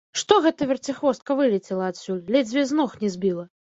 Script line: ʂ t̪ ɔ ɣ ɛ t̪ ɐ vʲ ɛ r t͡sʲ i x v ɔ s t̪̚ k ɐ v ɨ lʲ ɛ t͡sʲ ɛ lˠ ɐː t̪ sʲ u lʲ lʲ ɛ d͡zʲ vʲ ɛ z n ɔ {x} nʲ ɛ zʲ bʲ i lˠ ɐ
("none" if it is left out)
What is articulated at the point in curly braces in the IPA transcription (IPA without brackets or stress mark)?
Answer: x